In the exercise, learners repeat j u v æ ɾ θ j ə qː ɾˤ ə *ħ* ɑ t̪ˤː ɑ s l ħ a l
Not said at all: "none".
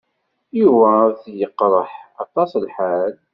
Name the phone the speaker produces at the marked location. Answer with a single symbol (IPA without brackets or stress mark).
ħ